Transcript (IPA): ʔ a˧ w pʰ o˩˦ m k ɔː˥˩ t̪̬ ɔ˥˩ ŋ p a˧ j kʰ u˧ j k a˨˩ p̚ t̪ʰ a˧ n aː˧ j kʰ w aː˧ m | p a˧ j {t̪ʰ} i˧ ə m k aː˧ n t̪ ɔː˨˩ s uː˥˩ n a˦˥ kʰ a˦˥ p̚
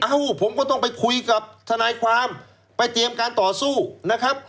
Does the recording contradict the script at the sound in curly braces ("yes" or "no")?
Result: yes